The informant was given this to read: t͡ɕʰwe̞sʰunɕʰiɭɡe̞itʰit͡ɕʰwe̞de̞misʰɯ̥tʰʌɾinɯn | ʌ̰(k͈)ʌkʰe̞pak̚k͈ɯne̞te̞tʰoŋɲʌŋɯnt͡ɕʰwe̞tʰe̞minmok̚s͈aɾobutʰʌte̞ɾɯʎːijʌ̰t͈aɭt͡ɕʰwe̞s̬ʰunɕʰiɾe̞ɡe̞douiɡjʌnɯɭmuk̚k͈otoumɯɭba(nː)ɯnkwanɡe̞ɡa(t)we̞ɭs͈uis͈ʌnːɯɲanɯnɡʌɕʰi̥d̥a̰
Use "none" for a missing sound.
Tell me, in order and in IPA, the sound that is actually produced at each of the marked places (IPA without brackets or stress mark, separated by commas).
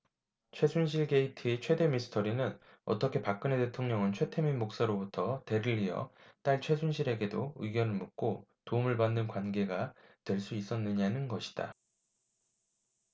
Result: t͈, nː, t